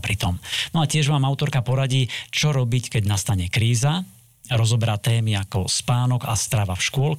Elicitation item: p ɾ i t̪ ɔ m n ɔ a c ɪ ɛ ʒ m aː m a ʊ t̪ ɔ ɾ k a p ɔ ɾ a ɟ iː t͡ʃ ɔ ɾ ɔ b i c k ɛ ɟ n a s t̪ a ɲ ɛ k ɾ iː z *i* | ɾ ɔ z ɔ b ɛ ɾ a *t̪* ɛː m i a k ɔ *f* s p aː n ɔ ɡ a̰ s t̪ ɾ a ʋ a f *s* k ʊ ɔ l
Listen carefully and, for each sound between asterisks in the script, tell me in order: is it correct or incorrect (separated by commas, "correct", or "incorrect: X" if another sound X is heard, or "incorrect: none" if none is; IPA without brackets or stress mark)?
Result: incorrect: a, correct, incorrect: none, incorrect: ʃ